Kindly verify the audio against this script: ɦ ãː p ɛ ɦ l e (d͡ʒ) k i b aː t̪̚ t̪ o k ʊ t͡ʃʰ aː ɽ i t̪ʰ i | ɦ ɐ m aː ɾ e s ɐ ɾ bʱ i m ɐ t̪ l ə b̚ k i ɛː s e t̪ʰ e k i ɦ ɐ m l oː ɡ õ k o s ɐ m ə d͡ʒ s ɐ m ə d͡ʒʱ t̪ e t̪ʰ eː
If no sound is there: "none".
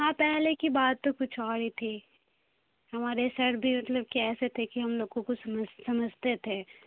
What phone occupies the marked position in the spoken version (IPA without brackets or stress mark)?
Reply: none